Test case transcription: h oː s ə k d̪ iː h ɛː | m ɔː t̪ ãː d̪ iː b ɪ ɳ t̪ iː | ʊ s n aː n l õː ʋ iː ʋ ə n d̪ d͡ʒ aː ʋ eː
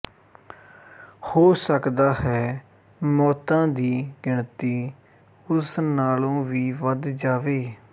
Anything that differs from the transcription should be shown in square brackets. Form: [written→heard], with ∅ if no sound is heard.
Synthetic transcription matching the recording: h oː s ə k d̪ [iː→aː] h ɛː | m ɔː t̪ ãː d̪ iː [b→ɡ] ɪ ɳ t̪ iː | ʊ s n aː [n→∅] l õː ʋ iː ʋ ə [n→∅] d̪ d͡ʒ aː ʋ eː